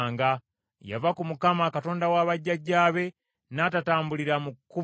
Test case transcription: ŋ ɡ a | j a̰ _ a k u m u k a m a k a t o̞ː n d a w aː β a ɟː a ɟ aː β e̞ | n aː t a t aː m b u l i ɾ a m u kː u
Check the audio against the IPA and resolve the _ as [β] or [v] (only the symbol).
v